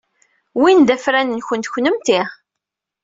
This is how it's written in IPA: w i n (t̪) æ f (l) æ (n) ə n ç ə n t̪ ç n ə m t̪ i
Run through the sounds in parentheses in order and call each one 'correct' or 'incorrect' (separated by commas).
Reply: incorrect, incorrect, correct